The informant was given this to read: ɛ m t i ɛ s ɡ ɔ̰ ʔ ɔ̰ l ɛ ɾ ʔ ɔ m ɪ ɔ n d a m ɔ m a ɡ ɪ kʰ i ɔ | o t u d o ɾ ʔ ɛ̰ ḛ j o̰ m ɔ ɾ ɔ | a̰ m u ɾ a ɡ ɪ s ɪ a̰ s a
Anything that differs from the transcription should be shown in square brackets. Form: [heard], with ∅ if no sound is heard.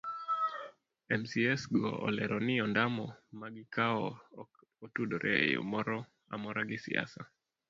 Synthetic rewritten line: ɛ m [s] i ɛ s ɡ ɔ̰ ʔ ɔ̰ l ɛ ɾ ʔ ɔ [n] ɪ ɔ n d a m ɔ m a ɡ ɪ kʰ [a] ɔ | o t u d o ɾ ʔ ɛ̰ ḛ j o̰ m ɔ ɾ ɔ | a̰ m [ɔ] ɾ a ɡ ɪ s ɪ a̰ s a